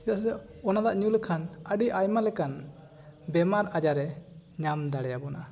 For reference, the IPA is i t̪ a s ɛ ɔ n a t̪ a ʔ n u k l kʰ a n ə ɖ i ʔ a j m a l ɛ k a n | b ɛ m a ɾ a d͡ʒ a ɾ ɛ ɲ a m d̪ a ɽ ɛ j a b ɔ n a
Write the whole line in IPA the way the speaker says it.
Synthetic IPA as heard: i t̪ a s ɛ ɔ n a d̪ a ʔ ɲ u l kʰ a n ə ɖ i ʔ a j m a l ɛ k a n | b ɛ m a ɾ a d͡ʒ a ɾ ɛ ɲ a m d̪ a ɽ ɛ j a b ɔ n a